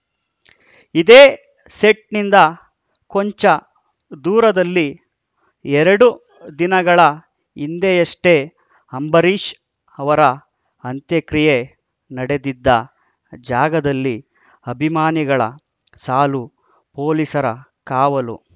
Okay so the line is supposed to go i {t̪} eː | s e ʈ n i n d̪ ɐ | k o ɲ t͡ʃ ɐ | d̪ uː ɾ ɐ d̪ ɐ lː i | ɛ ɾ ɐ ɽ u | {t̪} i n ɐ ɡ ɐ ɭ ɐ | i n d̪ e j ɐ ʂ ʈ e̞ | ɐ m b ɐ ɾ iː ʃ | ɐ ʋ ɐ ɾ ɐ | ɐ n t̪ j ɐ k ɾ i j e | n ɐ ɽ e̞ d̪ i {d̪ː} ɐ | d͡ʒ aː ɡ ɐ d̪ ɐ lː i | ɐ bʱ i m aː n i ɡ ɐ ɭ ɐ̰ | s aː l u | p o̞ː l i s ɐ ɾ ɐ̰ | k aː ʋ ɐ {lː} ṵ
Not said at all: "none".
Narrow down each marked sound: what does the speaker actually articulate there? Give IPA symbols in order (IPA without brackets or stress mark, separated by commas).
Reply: d̪, d̪, d̪ː, l